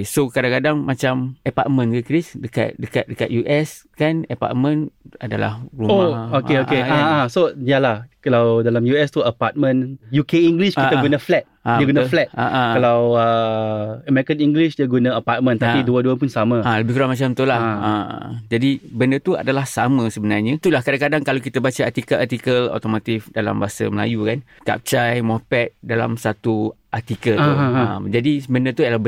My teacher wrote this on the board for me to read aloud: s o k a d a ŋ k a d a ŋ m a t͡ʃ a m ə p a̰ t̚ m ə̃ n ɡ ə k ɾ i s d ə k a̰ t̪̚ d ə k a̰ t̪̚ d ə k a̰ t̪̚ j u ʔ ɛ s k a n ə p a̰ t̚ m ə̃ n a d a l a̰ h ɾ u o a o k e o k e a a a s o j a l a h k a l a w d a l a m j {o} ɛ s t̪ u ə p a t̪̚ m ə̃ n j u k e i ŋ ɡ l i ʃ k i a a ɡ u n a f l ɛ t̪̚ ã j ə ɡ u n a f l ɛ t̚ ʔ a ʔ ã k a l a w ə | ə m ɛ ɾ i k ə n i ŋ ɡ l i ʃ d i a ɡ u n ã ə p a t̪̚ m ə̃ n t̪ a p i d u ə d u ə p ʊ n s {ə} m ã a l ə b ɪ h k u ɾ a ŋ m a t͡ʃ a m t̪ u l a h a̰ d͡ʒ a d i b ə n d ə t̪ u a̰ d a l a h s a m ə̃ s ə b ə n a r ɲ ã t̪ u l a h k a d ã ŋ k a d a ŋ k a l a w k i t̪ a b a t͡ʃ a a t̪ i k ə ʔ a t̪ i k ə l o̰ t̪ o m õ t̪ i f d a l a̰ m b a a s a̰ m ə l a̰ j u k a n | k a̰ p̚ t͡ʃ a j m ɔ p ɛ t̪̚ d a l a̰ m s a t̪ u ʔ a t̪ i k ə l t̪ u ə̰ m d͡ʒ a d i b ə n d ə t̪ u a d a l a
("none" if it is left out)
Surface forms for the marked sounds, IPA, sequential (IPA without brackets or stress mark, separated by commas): u, a